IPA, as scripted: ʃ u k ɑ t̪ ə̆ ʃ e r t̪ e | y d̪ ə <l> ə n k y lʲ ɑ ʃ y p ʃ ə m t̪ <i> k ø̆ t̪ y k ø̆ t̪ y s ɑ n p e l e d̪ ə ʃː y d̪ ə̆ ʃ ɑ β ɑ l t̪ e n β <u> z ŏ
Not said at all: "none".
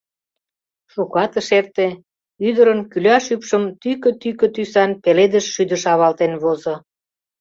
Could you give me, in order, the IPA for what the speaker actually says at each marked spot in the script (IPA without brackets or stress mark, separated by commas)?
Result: ɾ, y, o